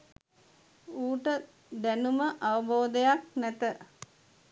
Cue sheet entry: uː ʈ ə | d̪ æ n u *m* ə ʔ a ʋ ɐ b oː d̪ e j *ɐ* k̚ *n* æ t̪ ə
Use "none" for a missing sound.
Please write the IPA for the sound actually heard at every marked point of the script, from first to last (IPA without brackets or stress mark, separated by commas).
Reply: m, a, n